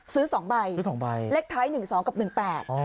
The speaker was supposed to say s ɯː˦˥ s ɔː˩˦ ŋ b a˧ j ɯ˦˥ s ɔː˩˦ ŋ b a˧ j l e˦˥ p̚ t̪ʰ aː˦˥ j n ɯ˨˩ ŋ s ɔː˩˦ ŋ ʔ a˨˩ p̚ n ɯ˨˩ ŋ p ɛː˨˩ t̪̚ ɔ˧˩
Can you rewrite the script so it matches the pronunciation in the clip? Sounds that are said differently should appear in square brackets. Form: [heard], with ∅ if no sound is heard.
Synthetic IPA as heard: s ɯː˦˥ s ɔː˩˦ ŋ b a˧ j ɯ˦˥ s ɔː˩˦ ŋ b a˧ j l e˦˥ [k̚] t̪ʰ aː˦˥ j n ɯ˨˩ ŋ s ɔː˩˦ ŋ [k] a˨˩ p̚ n ɯ˨˩ ŋ p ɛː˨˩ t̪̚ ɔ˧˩